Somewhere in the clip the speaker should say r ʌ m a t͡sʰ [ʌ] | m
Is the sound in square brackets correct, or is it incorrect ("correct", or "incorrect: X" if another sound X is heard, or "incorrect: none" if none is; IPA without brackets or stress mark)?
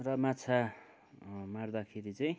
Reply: incorrect: a